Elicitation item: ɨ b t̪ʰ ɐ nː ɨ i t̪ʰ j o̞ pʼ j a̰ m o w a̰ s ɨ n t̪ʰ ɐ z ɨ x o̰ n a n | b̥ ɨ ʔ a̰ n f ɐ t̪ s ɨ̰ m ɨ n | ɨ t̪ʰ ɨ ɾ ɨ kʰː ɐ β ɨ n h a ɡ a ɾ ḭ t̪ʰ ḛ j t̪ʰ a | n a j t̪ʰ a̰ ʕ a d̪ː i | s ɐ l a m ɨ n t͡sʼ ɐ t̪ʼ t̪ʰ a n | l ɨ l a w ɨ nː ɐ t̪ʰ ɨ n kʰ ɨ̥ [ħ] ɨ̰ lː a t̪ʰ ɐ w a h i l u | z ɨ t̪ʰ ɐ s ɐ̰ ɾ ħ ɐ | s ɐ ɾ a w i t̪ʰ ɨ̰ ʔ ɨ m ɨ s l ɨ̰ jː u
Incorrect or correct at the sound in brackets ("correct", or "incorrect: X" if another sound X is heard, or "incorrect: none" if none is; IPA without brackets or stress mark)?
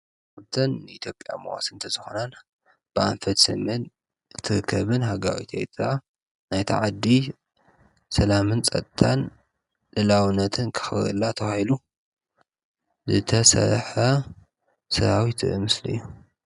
incorrect: x